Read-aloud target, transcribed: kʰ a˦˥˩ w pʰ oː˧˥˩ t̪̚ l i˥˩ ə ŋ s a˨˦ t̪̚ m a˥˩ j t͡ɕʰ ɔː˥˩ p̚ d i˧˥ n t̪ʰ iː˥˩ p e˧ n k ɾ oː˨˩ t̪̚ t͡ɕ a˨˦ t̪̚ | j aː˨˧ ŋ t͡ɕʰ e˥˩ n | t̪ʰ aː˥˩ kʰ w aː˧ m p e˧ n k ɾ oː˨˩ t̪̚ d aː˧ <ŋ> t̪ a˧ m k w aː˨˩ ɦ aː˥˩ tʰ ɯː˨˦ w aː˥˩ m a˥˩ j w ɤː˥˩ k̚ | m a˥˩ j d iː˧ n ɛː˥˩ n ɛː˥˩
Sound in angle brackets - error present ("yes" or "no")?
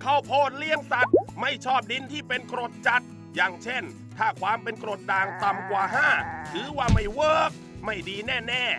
no